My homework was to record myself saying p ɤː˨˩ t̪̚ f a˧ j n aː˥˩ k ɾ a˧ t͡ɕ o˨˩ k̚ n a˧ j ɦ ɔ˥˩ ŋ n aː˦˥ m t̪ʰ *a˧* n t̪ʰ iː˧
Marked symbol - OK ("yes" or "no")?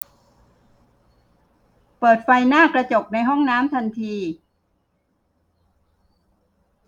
yes